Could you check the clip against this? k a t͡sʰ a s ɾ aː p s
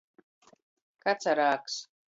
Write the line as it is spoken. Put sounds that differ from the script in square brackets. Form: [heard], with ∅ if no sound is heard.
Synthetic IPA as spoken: k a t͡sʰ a [∅] ɾ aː [k] s